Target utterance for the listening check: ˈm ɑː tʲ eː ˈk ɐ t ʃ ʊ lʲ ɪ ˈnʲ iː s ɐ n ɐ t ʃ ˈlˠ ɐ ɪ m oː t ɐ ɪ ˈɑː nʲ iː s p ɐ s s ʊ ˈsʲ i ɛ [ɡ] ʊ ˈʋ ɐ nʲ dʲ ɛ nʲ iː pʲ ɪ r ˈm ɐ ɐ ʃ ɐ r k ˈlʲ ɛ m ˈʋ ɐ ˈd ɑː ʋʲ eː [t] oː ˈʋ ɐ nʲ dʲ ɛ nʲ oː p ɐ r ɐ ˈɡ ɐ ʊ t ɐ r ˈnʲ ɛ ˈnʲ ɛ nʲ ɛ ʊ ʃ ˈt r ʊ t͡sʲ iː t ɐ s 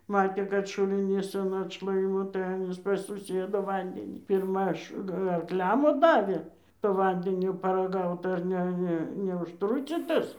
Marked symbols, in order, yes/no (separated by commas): no, yes